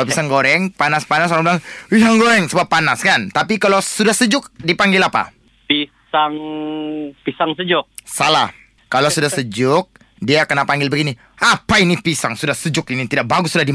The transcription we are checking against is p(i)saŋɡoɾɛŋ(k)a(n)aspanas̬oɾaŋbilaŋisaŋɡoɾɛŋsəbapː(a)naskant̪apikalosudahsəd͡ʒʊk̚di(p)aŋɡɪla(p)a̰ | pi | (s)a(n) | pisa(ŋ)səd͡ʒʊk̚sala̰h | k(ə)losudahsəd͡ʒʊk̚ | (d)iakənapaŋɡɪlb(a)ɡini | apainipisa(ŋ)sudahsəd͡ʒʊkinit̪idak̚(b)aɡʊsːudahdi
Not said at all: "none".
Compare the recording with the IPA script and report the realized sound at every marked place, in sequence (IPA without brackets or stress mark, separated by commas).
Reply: i, p, n, a, p, p, s, ŋ, ŋ, a, d, ə, ŋ, b